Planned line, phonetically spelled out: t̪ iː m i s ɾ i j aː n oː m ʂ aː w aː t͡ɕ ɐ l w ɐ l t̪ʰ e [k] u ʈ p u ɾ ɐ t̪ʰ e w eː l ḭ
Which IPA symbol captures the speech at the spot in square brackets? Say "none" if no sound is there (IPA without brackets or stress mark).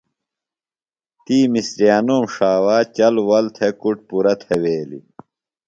k